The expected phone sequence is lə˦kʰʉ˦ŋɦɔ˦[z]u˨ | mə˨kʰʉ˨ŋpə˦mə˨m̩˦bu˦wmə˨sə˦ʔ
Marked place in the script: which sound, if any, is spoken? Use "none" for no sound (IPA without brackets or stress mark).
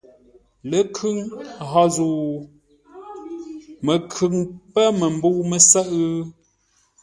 z